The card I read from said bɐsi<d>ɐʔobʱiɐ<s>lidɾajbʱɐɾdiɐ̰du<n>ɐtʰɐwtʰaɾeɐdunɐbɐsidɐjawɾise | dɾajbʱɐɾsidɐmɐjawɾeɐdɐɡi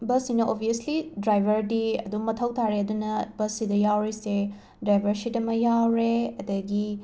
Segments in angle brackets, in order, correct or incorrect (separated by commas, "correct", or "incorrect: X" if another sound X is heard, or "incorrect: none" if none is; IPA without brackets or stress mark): incorrect: n, correct, incorrect: m